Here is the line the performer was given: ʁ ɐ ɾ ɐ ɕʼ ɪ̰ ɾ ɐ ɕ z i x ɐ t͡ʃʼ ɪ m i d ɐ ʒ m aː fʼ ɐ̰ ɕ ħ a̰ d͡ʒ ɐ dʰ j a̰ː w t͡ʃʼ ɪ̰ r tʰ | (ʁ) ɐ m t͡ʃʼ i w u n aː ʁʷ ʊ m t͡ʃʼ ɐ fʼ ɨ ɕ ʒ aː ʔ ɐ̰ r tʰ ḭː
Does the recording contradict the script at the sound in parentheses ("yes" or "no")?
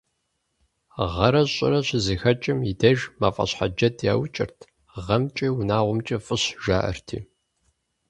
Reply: no